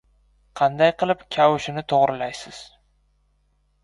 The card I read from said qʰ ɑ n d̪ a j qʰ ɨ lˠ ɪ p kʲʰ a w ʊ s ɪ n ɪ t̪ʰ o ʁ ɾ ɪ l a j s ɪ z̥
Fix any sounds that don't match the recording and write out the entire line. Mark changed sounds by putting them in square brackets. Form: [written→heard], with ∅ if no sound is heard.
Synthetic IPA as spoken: qʰ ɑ n d̪ a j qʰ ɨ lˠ ɪ p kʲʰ a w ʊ [s→ʃ] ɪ n ɪ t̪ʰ o ʁ ɾ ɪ l a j s ɪ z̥